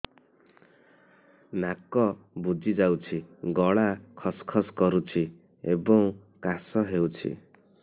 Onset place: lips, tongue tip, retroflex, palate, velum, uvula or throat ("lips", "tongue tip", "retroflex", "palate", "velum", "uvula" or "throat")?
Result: tongue tip